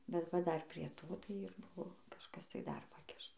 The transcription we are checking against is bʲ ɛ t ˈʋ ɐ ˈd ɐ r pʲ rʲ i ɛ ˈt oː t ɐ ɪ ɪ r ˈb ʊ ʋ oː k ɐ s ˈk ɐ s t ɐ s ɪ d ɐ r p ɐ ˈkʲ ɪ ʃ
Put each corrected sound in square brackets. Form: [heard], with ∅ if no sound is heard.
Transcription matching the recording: bʲ ɛ t ˈʋ ɐ ˈd ɐ r pʲ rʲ i ɛ ˈt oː t ɐ ɪ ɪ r ˈb ʊ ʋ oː k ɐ [ʃ] ˈk ɐ s t ɐ [∅] ɪ d ɐ r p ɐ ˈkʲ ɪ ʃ